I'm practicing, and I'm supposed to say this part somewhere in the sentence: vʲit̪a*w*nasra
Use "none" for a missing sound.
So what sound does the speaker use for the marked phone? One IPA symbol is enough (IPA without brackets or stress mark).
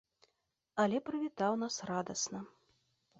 w